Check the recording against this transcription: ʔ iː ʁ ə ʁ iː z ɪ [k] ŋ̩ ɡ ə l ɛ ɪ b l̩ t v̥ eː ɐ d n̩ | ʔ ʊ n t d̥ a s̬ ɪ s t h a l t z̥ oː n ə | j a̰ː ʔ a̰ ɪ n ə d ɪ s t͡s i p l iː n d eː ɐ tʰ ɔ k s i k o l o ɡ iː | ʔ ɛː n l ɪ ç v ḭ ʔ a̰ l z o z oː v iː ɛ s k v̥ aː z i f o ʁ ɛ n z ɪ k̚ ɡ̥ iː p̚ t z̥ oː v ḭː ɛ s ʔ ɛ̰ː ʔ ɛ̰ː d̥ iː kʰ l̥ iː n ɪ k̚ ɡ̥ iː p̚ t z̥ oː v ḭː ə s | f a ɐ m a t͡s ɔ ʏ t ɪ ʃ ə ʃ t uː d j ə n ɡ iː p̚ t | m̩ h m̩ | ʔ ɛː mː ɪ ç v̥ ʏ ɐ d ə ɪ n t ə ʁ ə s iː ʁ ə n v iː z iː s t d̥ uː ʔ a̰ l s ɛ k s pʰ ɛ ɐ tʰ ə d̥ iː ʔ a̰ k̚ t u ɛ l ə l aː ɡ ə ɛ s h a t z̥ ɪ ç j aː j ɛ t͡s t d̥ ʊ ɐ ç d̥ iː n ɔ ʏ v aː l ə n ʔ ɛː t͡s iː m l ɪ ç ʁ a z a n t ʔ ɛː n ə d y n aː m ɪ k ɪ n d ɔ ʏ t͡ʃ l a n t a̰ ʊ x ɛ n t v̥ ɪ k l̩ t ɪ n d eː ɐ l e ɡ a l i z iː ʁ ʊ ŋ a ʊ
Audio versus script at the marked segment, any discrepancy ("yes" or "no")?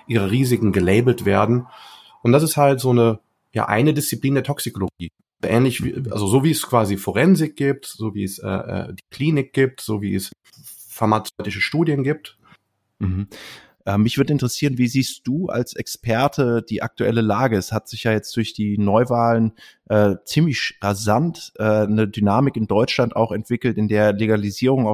no